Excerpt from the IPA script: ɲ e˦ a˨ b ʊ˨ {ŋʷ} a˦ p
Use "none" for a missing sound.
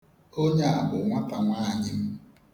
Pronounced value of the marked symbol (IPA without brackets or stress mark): ŋʷ